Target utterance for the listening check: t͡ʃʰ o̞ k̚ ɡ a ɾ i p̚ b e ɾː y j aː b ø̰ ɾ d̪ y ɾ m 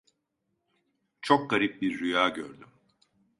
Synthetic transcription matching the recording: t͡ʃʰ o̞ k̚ ɡ a ɾ i p̚ b i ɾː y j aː ɟ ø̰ ɾ d̪ y m